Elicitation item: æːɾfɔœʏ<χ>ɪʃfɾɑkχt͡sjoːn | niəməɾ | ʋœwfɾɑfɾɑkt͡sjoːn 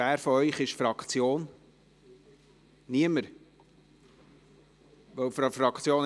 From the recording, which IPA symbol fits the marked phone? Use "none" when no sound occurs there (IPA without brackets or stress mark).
χ